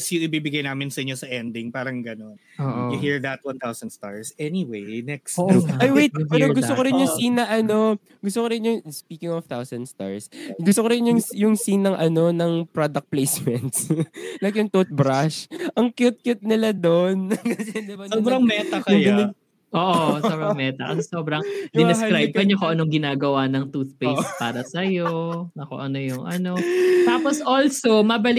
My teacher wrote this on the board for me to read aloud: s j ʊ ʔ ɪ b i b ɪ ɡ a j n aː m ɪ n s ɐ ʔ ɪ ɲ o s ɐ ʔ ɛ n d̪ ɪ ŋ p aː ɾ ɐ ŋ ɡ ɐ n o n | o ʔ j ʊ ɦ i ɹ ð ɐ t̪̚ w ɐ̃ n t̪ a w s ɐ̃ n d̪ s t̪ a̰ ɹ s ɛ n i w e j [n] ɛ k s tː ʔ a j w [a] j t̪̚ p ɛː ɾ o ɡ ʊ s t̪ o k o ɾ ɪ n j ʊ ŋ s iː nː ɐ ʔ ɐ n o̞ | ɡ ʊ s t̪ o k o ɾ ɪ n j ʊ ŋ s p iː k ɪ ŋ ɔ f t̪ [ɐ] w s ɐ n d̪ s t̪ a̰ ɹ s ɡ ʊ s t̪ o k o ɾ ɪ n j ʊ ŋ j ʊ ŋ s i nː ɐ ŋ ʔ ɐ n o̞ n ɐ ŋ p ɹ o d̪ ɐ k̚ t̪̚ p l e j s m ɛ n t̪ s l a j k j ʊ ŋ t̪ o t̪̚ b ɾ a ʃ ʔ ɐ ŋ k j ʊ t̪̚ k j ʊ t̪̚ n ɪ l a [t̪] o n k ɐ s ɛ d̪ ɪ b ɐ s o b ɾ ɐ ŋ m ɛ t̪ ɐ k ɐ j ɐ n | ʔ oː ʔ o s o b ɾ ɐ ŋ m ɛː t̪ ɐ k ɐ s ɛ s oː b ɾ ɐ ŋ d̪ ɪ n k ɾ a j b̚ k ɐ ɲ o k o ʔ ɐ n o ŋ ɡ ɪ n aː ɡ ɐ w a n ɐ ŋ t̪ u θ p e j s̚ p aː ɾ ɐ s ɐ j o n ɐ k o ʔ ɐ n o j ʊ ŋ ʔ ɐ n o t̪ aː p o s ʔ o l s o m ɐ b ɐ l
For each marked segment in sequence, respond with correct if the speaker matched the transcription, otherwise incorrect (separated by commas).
correct, incorrect, incorrect, incorrect